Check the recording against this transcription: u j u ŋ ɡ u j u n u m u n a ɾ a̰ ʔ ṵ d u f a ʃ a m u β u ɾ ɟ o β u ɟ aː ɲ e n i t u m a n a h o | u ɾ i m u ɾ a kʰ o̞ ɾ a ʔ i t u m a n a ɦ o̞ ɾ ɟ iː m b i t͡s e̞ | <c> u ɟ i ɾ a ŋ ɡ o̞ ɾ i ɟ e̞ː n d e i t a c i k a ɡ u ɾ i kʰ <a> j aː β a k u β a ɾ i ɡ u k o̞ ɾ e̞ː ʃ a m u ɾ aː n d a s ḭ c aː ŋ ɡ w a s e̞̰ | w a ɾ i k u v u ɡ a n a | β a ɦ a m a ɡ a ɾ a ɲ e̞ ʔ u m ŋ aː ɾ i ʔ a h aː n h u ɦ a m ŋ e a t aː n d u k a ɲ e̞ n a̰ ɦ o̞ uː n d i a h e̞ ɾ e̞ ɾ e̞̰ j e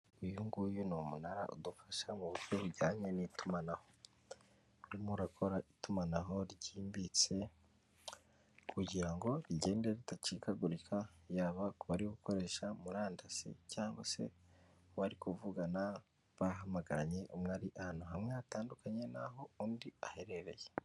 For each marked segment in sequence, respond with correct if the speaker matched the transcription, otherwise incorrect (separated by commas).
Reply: incorrect, correct